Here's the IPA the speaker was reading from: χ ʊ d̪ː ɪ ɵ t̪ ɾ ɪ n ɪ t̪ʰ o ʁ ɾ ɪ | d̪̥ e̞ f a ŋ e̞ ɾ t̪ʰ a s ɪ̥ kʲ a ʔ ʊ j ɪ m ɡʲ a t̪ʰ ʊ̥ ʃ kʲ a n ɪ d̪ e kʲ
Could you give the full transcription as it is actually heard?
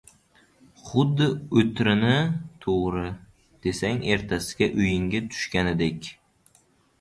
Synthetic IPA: χ ʊ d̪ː ɪ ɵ t̪ ɾ ɪ n ɪ t̪ʰ o ʁ ɾ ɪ | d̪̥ e̞ s a ŋ e̞ ɾ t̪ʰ a s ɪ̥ ɡʲ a ʔ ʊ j ɪ ŋ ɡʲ a t̪ʰ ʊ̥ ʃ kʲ a n ɪ d̪ e kʲ